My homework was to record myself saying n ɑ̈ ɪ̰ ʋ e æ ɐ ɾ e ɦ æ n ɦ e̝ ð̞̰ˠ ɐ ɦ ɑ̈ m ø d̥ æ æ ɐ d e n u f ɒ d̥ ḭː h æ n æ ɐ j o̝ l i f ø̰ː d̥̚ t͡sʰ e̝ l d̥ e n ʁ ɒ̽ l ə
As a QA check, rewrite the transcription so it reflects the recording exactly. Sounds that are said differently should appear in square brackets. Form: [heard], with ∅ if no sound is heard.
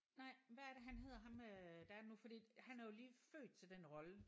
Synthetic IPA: n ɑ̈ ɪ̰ ʋ [æ] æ ɐ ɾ e ɦ æ n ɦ e̝ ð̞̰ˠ ɐ ɦ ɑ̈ m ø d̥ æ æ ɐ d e n u f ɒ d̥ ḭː h æ n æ ɐ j o̝ l [iː] f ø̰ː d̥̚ t͡sʰ e̝ l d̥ e n ʁ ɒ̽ l ə